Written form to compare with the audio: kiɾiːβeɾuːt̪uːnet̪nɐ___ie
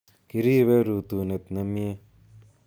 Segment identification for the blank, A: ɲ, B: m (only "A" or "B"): B